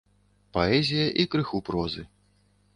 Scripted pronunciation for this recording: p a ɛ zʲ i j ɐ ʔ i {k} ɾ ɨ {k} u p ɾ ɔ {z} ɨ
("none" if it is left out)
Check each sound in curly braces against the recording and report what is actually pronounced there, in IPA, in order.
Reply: k, x, z

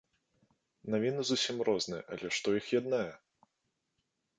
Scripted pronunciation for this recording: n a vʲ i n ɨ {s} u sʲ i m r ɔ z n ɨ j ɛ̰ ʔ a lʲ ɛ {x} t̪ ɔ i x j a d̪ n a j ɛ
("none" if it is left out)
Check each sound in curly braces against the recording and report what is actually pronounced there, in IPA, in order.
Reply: z, ʂ

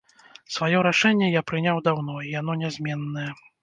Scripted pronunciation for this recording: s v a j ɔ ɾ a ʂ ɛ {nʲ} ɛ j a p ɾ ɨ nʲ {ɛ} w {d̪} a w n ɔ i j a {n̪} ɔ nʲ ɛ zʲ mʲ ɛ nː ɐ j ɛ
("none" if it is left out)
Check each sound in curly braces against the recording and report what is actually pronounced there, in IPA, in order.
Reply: nʲː, a, d̪, n̪

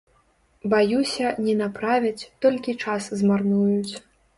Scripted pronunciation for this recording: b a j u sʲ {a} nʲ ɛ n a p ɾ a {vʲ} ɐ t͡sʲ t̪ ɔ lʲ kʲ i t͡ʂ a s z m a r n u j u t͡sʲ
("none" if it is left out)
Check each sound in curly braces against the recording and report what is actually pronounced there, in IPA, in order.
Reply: ɐ, vʲ

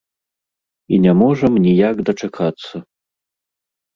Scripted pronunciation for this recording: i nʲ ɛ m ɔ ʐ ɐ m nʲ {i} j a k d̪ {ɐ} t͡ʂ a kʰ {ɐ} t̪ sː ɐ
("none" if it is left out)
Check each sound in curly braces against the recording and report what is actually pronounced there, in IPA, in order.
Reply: i, ɐ, a

